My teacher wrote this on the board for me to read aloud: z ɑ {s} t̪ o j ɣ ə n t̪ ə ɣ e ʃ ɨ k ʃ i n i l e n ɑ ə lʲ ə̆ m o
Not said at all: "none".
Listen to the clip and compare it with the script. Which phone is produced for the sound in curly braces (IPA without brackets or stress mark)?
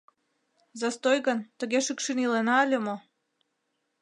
s